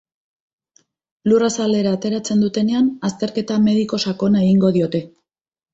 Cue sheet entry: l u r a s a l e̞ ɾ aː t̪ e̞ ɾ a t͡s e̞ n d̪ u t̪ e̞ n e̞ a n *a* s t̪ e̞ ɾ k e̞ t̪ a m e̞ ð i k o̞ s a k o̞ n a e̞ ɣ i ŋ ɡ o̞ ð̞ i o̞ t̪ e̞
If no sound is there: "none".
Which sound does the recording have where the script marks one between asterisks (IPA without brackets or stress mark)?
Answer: a